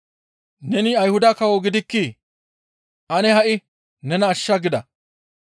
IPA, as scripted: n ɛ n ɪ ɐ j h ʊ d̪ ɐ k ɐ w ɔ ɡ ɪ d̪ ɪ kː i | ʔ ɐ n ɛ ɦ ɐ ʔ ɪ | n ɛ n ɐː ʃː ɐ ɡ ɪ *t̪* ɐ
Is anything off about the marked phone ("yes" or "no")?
yes